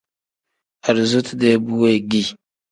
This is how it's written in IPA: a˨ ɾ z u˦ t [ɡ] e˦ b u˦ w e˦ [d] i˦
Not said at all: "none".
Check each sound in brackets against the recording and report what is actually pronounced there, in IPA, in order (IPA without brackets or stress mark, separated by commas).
d, ɡ